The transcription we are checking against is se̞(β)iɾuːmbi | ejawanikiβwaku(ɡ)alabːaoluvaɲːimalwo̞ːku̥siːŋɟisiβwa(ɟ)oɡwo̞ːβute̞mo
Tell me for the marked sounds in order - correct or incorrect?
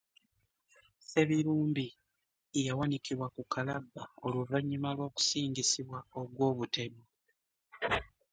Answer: correct, incorrect: k, incorrect: none

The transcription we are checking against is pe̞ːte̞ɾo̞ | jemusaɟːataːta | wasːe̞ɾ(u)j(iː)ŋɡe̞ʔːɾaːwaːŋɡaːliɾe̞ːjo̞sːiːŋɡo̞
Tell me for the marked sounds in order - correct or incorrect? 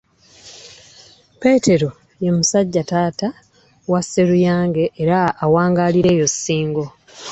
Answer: correct, incorrect: aː

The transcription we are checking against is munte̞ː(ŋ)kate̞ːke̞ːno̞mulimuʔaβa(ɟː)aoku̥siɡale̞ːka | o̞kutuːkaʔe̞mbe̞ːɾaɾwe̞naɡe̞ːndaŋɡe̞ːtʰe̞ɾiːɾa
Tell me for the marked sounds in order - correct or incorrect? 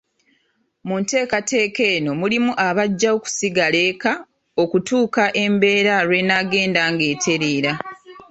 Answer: incorrect: none, correct

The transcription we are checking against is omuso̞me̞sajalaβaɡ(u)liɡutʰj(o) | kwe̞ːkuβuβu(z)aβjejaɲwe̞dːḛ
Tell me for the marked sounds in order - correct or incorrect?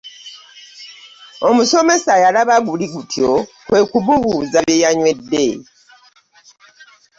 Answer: correct, correct, correct

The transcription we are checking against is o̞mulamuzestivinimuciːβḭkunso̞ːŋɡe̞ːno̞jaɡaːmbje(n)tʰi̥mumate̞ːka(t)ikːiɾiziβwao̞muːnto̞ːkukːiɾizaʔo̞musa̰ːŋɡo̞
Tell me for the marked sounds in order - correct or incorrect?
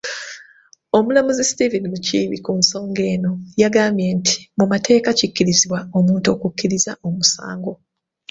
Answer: correct, incorrect: c

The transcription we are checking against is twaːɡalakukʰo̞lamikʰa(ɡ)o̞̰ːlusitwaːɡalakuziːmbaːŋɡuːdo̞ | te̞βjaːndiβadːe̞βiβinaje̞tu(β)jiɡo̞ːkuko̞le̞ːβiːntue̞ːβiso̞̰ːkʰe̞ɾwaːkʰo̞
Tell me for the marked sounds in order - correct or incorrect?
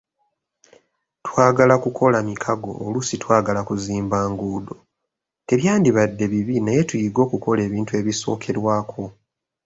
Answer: correct, incorrect: none

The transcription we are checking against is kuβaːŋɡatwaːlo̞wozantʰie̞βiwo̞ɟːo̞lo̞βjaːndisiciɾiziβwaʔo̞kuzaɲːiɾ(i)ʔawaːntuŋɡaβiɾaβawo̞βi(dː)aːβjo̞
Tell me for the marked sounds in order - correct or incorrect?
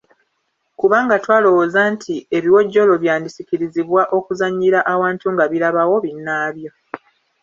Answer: incorrect: a, incorrect: nː

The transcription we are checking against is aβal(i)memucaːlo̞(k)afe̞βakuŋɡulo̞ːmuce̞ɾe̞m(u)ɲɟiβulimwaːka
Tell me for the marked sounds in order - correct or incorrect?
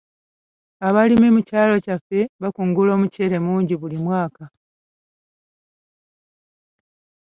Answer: correct, incorrect: c, incorrect: uː

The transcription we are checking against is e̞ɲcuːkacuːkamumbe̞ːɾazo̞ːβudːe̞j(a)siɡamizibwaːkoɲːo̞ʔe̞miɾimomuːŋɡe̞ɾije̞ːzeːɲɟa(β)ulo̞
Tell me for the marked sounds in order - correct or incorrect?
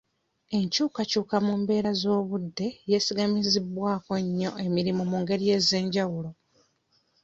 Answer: incorrect: e, incorrect: w

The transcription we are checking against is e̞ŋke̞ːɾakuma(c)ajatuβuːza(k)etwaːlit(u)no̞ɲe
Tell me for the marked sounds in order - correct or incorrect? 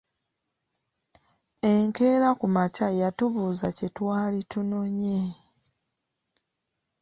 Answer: correct, incorrect: c, correct

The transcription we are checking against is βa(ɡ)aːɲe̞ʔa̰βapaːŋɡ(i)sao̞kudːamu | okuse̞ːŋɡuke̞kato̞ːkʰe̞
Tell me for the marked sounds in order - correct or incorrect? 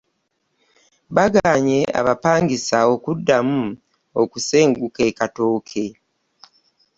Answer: correct, correct

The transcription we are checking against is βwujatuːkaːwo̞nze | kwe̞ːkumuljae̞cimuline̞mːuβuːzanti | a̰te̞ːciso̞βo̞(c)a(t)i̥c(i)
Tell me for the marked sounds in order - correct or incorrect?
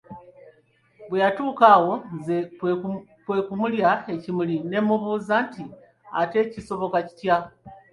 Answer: incorrect: k, incorrect: c, incorrect: a

